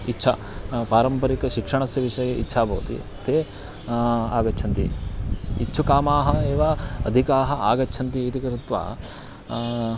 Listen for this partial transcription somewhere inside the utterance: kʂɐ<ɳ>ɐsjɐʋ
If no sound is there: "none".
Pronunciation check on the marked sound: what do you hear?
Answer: ɳ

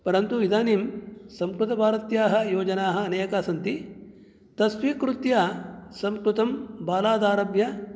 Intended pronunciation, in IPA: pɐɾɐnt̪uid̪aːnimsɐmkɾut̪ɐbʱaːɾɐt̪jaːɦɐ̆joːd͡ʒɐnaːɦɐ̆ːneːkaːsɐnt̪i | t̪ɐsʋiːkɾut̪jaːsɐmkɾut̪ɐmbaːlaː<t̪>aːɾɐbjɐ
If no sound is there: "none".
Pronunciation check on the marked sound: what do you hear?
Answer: d̪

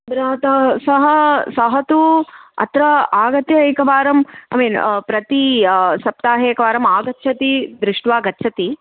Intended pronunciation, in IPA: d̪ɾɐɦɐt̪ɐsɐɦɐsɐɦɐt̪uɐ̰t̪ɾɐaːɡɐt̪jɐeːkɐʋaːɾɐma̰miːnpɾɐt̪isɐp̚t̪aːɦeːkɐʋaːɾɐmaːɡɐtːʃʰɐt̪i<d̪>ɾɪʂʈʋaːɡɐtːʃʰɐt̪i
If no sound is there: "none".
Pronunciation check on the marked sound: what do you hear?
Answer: d̪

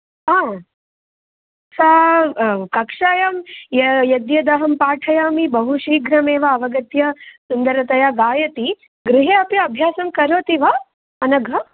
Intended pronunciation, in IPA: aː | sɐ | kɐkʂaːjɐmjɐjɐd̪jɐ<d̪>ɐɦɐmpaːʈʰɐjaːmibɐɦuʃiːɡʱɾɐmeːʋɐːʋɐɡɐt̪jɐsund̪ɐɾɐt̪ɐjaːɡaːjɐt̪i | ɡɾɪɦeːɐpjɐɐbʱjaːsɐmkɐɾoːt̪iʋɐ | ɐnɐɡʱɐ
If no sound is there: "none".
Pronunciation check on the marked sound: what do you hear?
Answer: d̪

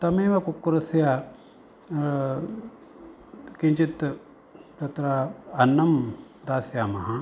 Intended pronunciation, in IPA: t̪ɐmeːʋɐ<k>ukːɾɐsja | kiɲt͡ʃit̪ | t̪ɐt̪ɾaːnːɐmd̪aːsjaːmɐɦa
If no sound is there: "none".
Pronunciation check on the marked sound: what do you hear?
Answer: k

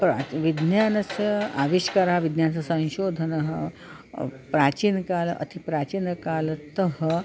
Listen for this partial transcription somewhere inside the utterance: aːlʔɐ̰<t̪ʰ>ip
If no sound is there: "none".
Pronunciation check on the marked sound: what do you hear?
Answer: t̪ʰ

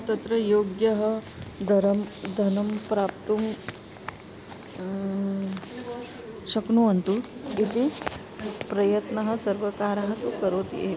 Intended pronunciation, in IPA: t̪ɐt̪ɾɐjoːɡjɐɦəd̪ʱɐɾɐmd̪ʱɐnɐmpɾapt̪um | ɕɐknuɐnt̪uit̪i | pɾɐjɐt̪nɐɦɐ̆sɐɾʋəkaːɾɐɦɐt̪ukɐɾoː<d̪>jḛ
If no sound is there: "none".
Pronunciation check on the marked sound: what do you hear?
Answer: t̪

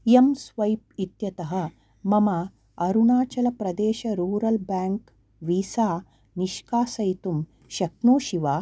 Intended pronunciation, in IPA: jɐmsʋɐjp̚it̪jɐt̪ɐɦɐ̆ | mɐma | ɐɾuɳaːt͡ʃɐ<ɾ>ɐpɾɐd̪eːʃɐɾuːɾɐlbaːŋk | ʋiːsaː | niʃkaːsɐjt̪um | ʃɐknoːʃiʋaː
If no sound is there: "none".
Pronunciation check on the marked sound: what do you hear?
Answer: l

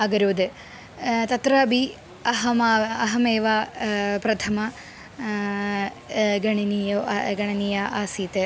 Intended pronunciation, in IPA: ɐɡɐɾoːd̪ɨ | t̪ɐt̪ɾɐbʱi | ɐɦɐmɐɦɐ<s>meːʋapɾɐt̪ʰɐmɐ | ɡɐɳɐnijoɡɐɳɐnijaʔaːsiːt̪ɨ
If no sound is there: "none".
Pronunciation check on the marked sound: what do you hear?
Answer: none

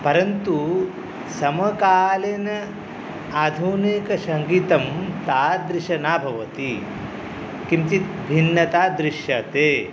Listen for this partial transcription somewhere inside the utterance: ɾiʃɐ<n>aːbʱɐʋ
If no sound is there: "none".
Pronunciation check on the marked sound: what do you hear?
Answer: n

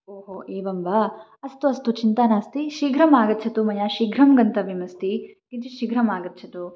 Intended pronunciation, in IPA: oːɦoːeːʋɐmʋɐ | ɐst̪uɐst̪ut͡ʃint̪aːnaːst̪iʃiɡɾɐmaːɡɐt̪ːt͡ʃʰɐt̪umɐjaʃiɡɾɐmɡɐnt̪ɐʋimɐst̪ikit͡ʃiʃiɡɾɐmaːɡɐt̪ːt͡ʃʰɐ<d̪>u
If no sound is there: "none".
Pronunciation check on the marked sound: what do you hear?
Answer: t̪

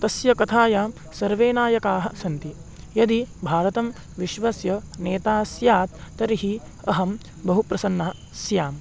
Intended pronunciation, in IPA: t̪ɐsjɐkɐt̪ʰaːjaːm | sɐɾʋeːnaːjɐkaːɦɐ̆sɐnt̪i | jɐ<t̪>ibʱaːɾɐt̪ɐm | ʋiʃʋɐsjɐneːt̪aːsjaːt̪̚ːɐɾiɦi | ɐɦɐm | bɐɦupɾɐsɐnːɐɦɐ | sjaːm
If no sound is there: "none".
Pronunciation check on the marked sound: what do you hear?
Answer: d̪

